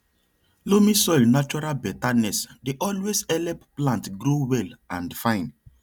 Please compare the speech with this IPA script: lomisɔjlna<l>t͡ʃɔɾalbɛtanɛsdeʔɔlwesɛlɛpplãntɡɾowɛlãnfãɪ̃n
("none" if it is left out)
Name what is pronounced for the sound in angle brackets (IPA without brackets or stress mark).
none